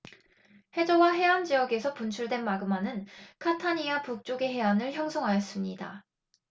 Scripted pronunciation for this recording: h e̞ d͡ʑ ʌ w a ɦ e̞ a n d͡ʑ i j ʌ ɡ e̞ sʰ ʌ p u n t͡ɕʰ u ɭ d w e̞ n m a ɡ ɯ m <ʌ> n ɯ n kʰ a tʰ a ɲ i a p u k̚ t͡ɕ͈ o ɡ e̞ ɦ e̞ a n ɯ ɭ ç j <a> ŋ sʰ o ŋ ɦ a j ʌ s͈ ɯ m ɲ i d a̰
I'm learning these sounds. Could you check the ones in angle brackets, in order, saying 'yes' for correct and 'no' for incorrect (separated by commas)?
no, no